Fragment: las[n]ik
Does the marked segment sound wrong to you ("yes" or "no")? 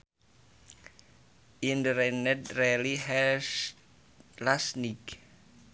no